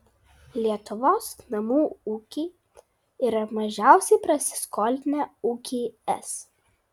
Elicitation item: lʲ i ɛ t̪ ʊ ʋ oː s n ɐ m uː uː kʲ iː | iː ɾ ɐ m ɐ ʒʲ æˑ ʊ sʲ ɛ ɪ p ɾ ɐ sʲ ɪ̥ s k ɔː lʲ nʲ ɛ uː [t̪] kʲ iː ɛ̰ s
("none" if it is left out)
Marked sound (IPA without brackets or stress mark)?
none